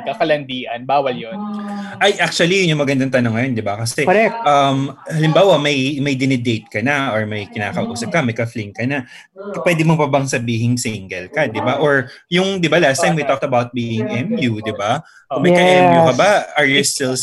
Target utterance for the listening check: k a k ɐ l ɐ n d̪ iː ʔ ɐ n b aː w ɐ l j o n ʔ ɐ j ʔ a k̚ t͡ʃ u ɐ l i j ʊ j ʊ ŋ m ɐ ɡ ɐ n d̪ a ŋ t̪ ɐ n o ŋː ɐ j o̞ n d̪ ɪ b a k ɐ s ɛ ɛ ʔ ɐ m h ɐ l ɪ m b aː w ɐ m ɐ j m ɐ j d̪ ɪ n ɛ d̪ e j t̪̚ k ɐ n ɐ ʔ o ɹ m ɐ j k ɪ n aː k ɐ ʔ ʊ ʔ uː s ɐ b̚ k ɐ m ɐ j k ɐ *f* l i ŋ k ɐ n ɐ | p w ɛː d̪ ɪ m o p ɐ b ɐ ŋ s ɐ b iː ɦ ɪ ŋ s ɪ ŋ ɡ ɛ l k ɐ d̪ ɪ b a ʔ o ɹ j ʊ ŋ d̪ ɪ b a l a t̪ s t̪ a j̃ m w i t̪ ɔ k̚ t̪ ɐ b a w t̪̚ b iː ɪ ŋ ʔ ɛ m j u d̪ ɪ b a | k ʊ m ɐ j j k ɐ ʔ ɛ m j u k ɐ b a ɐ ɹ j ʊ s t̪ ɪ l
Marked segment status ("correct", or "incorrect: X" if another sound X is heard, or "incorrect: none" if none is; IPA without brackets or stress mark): correct